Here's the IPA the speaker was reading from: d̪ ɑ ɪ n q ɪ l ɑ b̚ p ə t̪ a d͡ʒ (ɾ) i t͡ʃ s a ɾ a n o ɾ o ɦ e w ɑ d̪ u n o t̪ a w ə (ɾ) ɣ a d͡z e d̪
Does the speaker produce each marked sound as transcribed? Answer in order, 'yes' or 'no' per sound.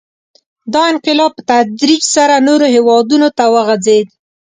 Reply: yes, no

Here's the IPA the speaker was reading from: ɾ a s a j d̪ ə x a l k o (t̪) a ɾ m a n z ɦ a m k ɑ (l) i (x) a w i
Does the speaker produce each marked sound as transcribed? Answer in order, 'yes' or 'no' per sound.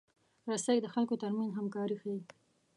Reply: yes, no, yes

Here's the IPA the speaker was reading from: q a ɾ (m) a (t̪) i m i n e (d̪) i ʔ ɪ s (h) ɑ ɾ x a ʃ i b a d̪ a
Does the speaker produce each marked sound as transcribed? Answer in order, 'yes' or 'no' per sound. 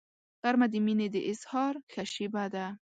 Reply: yes, no, yes, yes

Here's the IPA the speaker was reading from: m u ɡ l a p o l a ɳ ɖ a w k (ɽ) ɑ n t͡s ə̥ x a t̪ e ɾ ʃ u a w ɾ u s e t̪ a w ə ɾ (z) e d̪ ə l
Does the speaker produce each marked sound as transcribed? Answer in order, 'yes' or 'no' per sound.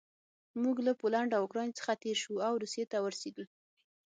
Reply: no, no

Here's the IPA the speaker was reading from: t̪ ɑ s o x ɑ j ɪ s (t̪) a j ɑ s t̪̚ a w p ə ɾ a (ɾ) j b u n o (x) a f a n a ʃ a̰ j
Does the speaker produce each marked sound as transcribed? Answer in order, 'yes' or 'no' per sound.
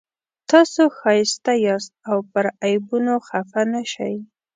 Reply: yes, no, yes

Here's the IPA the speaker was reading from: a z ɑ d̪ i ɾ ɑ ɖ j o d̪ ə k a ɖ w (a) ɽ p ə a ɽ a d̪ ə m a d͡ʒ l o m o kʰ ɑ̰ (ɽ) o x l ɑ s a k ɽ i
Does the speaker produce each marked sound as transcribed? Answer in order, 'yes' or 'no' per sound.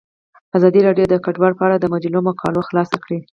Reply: no, no

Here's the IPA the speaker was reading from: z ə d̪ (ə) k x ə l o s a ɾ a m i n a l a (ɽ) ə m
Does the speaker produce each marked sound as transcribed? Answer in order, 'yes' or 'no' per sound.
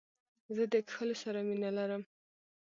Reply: yes, no

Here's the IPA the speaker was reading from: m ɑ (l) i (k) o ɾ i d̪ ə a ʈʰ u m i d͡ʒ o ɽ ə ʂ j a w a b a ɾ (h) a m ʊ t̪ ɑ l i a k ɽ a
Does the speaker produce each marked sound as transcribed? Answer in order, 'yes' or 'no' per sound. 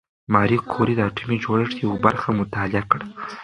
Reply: no, no, no

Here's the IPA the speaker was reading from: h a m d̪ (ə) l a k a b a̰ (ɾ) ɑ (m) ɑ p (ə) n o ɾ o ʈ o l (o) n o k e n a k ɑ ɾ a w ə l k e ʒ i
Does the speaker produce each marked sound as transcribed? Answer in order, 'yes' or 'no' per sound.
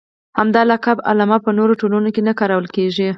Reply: no, no, yes, yes, no

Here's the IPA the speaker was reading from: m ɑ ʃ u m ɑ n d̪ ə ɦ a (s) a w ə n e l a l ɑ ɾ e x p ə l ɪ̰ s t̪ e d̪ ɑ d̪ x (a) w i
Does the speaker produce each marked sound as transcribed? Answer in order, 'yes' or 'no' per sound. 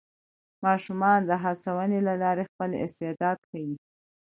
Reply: yes, yes

